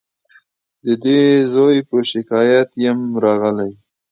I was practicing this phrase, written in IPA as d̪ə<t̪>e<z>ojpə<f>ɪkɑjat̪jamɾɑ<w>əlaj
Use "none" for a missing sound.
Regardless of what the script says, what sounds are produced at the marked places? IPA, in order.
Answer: d̪, z, ʃ, ɣ

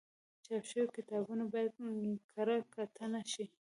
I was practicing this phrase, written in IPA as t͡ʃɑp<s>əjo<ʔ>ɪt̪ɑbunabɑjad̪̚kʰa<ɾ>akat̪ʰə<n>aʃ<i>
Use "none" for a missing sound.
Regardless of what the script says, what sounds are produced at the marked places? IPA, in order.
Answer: ʃ, k, ɾ, n, i

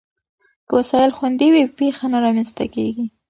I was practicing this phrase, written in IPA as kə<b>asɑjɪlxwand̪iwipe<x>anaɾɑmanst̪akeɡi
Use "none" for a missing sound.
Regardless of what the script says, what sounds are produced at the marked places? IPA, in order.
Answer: w, x

